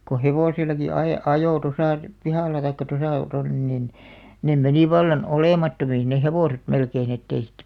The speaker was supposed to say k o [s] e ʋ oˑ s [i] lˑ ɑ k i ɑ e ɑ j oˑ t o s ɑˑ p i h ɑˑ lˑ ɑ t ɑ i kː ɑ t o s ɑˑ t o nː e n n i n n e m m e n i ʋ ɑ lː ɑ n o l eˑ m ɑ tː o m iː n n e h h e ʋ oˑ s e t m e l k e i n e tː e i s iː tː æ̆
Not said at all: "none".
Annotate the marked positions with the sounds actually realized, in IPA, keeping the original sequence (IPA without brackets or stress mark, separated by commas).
h, i